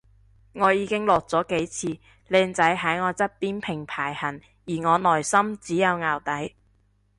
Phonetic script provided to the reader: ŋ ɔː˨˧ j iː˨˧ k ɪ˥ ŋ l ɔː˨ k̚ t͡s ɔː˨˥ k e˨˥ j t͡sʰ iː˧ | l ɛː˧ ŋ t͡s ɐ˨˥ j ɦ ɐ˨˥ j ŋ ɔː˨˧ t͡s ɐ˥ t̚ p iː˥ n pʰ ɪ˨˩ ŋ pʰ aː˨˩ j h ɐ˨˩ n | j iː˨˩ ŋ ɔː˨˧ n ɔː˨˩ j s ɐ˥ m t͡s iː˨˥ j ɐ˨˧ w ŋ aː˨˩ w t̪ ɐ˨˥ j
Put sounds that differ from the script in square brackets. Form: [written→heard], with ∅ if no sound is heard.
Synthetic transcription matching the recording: ŋ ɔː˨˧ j iː˨˧ k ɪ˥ ŋ l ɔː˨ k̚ t͡s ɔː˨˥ k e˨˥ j t͡sʰ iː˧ | l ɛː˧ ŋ t͡s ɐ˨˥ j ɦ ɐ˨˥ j ŋ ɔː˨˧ t͡s ɐ˥ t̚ p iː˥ n pʰ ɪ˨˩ ŋ pʰ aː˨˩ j h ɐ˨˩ n | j iː˨˩ ŋ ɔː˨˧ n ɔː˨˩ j s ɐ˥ m t͡s iː˨˥ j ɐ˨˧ w ŋ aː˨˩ w t̪ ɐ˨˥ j